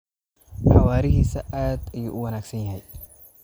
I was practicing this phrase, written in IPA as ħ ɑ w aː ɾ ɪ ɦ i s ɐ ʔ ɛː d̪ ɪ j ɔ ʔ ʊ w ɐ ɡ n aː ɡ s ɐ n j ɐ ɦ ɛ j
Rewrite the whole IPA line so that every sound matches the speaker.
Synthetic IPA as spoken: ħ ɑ w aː ɾ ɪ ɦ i s ɐ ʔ aː d̪ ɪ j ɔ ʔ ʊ w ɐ n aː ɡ s ɐ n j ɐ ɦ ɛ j